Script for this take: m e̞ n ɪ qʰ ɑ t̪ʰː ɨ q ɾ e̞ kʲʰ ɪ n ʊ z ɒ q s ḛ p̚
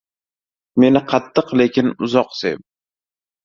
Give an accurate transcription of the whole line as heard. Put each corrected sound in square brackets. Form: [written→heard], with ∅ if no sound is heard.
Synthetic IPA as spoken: m e̞ n ɪ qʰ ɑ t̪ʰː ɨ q [ɾ→l] e̞ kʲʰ ɪ n ʊ z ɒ q s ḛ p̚